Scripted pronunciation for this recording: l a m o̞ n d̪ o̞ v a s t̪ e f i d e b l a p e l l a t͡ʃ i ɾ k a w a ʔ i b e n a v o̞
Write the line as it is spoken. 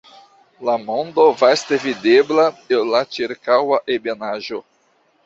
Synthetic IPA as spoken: l a m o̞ n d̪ o̞ v a s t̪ e v i d e b l a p e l l a t͡ʃ i ɾ k a w a ʔ e b e n a ʒ o̞